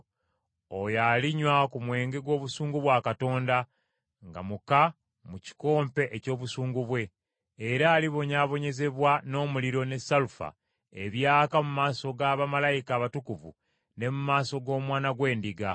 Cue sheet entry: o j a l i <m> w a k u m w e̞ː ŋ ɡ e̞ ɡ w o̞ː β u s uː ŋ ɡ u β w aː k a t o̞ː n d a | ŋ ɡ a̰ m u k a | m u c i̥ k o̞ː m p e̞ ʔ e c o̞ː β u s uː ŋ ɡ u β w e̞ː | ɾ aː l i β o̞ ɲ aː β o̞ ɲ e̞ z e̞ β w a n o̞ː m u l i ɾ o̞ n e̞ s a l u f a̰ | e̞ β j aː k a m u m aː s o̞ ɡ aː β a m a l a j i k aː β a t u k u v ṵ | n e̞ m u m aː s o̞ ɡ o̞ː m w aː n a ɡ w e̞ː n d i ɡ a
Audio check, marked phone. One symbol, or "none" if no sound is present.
ɲ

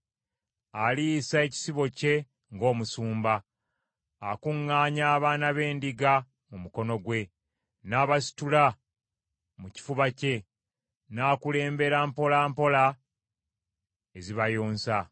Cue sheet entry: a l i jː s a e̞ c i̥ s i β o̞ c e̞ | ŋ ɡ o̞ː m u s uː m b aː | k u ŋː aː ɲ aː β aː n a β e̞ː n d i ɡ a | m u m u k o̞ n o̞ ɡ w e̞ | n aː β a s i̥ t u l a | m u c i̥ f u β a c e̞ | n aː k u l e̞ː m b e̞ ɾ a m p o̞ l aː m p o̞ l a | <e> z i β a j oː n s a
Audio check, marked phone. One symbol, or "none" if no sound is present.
e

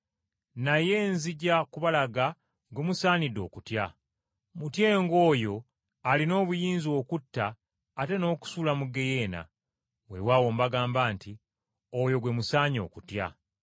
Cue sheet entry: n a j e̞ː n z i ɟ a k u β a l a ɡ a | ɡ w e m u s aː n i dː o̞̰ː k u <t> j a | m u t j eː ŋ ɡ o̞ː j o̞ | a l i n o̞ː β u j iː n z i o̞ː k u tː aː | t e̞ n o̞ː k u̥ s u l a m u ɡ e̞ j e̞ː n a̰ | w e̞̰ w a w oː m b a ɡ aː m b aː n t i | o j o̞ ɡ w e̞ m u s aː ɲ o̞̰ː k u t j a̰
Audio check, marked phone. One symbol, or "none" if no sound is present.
t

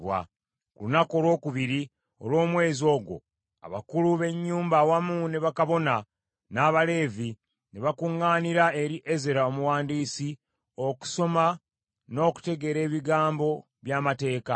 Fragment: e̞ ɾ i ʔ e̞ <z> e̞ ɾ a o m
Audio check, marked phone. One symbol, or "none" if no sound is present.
z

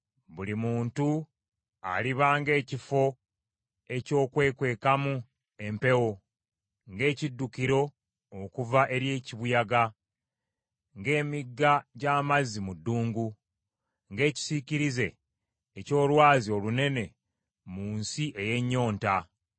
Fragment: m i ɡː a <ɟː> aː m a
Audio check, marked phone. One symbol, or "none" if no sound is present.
ɟ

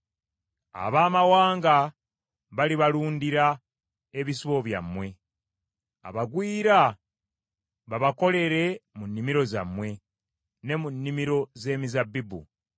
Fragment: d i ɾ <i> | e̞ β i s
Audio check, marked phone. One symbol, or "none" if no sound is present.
a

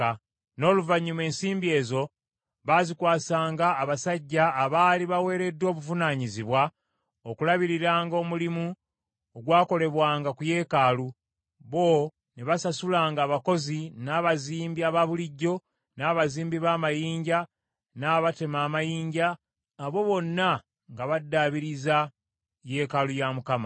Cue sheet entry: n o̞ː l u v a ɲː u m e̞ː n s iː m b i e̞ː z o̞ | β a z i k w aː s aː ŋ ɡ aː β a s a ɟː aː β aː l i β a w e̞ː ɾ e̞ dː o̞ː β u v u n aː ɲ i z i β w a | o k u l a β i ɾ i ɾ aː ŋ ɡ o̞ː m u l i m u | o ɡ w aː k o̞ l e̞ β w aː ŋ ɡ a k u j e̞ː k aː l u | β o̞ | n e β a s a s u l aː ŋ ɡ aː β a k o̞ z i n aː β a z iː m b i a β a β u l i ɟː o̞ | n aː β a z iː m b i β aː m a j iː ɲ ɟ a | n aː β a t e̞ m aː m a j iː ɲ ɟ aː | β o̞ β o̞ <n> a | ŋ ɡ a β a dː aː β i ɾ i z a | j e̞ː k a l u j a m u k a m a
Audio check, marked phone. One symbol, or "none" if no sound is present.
nː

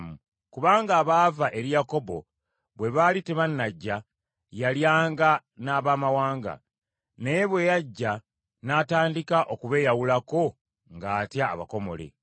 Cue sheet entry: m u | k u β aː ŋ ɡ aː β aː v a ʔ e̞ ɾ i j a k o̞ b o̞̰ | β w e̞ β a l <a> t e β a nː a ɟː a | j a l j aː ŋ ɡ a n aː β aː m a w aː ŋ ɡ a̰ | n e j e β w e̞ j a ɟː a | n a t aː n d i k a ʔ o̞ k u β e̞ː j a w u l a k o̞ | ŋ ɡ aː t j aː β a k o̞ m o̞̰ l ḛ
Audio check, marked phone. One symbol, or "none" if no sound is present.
i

